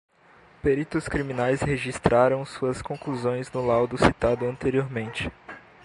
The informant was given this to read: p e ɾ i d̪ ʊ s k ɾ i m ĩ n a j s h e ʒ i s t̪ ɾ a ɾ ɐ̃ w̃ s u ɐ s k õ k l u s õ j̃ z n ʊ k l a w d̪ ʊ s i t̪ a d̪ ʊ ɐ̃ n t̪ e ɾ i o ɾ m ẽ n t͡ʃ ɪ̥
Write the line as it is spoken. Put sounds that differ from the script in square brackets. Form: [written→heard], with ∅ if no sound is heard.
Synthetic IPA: p e ɾ i [d̪→t̪] ʊ s k ɾ i m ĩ n a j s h e ʒ i s t̪ ɾ a ɾ ɐ̃ w̃ s u ɐ s k õ k l u [s→z] õ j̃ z n ʊ [k→∅] l a w d̪ ʊ s i t̪ a d̪ ʊ ɐ̃ n t̪ e ɾ i o ɾ m ẽ n t͡ʃ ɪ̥